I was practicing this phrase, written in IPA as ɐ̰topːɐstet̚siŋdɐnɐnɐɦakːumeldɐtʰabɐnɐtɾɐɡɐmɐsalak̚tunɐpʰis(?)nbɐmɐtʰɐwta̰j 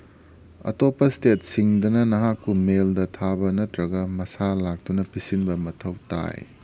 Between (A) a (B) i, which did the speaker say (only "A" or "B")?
B